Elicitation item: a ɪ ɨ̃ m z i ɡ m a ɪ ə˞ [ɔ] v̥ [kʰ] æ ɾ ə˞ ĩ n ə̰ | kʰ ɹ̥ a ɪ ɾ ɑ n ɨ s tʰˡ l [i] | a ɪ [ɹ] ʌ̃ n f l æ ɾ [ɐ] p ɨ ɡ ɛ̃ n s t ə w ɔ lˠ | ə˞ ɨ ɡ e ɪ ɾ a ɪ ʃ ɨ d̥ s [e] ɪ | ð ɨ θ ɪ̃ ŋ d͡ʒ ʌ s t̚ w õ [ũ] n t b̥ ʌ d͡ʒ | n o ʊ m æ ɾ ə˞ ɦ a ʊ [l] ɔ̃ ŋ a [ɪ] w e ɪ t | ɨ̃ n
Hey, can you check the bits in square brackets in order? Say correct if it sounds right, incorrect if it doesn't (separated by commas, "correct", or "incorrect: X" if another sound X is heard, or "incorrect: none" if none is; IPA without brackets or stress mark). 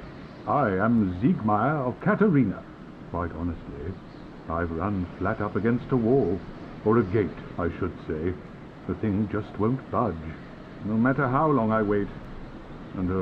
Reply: incorrect: ʌ, correct, correct, correct, incorrect: ʌ, correct, incorrect: ʊ̃, correct, correct